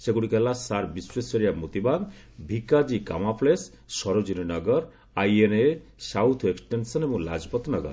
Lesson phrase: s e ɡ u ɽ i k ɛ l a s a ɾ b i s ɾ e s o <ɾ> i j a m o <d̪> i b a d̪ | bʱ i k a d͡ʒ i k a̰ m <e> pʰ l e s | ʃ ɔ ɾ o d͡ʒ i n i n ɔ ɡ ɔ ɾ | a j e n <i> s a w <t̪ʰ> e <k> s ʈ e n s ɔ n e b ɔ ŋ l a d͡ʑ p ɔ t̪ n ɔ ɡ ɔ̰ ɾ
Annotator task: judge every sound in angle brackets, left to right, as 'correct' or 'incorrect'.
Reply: correct, incorrect: t̪, incorrect: a, incorrect: e, correct, correct

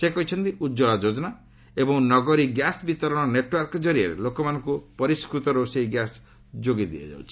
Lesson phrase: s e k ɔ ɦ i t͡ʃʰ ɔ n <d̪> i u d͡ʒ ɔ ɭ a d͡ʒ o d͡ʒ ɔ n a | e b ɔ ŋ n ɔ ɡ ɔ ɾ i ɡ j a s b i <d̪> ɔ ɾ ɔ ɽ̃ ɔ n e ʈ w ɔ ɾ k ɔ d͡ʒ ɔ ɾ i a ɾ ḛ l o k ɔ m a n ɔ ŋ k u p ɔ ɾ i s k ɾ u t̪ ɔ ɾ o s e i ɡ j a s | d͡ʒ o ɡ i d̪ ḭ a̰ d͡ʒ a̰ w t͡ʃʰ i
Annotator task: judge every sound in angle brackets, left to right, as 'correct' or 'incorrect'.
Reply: incorrect: t̪, incorrect: t̪

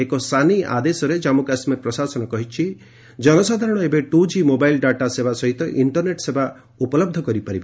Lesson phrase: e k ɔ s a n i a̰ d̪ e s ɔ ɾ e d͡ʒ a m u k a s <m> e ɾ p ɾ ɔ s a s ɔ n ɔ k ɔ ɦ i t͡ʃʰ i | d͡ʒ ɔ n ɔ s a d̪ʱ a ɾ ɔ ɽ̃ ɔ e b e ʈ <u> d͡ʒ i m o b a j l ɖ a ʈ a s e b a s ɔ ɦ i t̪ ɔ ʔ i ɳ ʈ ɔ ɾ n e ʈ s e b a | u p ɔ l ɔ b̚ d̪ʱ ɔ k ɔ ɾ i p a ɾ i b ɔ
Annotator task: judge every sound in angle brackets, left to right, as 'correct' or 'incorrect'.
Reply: correct, correct

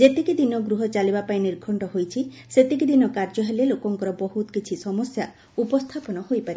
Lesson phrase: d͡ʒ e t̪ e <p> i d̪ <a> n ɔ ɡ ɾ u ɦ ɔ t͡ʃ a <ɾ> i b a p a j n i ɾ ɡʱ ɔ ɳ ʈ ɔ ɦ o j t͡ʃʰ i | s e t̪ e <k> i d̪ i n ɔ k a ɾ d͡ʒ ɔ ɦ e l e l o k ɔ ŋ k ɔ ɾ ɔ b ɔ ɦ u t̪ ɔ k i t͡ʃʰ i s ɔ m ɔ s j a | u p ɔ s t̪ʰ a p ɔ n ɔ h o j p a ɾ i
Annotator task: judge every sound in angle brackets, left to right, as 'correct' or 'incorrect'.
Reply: incorrect: k, incorrect: i, incorrect: l, correct

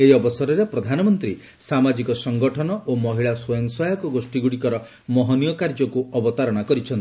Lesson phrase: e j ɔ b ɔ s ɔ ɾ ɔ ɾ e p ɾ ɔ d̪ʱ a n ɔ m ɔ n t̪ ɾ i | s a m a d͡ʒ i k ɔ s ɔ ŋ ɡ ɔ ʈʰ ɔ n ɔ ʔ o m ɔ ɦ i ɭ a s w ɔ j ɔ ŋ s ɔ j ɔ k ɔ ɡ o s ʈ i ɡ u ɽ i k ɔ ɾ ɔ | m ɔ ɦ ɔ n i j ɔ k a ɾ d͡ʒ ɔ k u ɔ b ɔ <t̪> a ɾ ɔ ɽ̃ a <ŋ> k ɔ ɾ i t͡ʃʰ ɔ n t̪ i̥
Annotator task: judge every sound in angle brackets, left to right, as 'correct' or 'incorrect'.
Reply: correct, incorrect: none

